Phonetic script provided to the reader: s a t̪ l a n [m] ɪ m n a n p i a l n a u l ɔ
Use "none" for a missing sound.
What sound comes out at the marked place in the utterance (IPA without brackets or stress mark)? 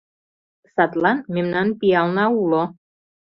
m